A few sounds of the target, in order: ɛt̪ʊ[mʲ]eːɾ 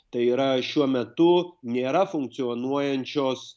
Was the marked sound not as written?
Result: yes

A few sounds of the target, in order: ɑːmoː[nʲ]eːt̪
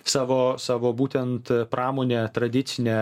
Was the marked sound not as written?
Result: no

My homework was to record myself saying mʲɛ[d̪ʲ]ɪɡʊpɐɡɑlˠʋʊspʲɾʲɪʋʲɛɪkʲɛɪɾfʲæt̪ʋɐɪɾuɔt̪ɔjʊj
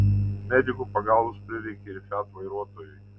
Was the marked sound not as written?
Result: no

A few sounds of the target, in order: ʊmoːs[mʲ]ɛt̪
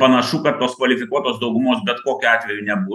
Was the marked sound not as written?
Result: yes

